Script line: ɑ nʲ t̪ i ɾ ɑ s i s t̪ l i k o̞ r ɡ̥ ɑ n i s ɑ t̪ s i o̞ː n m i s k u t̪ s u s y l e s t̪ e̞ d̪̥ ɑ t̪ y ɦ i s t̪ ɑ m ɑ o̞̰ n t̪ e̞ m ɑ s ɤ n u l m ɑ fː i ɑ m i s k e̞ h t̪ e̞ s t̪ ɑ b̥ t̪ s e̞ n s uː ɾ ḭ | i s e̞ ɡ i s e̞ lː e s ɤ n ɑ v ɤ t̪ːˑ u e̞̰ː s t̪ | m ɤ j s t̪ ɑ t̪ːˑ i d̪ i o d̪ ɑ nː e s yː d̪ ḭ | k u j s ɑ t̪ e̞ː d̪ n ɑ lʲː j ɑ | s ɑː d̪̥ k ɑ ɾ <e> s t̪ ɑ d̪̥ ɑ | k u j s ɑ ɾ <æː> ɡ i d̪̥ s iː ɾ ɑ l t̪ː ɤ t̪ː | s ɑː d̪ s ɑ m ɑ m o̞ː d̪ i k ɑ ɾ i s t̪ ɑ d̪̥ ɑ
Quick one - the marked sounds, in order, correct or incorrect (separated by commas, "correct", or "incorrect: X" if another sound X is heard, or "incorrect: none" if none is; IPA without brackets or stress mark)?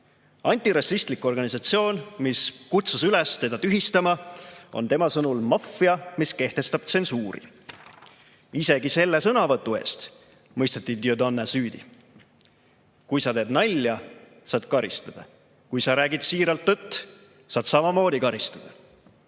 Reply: incorrect: i, correct